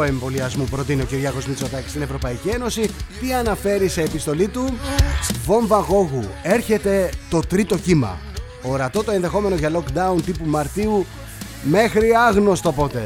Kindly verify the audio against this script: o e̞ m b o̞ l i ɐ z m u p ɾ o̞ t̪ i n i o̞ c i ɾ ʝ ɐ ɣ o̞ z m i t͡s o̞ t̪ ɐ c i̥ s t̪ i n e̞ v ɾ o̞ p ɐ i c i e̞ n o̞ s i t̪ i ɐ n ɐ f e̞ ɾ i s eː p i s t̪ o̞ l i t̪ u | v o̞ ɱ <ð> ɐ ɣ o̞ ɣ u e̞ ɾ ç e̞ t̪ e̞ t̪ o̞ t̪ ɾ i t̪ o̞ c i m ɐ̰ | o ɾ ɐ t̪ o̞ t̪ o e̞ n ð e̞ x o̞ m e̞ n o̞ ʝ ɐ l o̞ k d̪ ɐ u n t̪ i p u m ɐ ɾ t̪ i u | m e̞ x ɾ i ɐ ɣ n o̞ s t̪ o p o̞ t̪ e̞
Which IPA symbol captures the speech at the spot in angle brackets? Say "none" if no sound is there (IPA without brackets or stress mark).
v